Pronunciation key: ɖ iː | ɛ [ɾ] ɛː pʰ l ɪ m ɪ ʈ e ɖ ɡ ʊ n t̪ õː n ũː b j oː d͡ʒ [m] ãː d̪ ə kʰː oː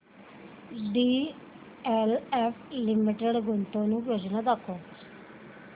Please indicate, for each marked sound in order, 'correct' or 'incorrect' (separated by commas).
incorrect, incorrect